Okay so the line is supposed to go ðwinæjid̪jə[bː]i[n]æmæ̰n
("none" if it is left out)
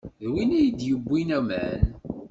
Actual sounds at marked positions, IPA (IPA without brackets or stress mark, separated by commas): bː, n